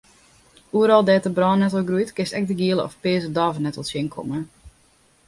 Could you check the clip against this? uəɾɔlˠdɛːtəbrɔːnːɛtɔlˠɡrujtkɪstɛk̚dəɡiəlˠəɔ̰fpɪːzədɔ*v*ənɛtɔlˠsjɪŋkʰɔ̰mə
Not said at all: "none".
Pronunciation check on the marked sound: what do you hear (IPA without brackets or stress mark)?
v